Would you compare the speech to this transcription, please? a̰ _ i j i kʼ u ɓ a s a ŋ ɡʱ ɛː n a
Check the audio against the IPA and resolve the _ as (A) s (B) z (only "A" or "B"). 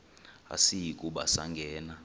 A